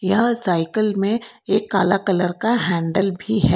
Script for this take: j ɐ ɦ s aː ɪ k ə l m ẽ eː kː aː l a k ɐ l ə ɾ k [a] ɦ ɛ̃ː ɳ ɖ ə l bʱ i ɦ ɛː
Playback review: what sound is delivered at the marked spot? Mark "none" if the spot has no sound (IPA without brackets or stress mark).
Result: a